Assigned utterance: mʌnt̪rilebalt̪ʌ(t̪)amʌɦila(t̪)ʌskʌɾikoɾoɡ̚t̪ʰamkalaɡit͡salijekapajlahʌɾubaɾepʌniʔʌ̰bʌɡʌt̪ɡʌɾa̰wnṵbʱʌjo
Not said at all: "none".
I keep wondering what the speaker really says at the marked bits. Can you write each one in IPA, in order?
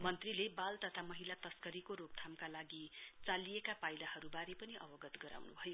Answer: t̪ʰ, t̪

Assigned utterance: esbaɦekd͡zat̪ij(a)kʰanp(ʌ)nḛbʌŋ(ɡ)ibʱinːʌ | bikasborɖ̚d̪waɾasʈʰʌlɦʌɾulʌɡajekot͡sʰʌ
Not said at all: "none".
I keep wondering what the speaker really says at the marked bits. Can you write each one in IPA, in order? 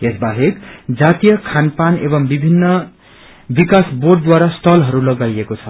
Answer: ʌ, a, b

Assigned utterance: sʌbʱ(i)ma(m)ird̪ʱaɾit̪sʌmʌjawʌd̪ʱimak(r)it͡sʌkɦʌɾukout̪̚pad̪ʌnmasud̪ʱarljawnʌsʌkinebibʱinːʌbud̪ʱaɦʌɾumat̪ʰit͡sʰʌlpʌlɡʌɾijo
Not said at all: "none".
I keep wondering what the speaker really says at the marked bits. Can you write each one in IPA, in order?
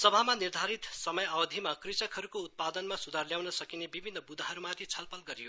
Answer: a, n, r

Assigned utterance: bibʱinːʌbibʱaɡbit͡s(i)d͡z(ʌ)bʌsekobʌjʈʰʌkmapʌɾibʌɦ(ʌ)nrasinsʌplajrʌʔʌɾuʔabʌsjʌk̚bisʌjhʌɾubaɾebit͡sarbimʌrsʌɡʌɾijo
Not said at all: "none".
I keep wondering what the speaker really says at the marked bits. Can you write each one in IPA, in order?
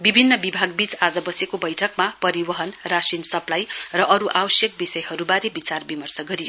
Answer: a, ʌ, ʌ

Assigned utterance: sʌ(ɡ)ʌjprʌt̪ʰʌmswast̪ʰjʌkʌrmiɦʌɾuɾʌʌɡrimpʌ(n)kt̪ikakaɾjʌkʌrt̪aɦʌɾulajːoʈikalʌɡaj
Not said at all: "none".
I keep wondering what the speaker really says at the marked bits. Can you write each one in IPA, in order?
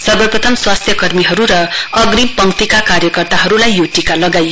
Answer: b, ŋ

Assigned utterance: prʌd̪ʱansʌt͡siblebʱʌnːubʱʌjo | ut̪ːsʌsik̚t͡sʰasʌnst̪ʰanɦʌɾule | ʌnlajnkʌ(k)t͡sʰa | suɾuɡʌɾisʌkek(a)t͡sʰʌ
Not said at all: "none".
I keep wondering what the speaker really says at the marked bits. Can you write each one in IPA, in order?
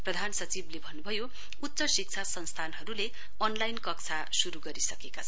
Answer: k, a

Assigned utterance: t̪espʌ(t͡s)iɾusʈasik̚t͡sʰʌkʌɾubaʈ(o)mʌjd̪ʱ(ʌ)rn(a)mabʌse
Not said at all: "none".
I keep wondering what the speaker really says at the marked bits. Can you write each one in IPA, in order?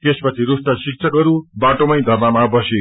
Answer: t͡sʰ, o, ʌ, a

